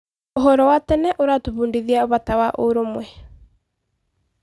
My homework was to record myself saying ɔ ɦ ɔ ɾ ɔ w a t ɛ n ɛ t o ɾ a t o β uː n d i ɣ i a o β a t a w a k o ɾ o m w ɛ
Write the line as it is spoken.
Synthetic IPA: o ɦ ɔ ɾ ɔ w a t ɛ n ɛ ʔ o ɾ a t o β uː n d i ð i a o β a t a w a ʔ o ɾ o m w ɛ